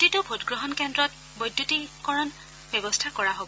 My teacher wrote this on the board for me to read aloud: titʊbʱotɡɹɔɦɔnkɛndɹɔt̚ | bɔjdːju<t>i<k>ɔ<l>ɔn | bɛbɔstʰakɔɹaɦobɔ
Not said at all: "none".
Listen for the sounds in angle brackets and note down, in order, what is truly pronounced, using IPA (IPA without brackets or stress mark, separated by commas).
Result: t, k, ɹ